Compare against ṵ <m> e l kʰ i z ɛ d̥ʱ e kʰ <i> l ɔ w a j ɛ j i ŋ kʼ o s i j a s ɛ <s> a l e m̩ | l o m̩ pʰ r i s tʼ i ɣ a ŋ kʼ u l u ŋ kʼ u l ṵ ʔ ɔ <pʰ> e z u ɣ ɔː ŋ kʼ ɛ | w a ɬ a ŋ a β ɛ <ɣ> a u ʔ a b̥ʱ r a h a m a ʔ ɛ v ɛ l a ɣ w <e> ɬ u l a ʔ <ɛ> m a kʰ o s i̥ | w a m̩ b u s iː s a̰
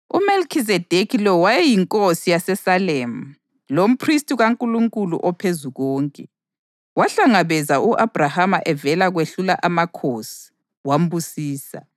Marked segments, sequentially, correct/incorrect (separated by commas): correct, correct, correct, correct, incorrect, correct, incorrect